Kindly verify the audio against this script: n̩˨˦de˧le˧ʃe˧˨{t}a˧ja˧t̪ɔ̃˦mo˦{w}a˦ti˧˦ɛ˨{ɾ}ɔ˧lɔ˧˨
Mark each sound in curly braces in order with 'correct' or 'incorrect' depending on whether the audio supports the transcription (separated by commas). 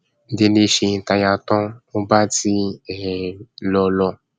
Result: correct, incorrect, incorrect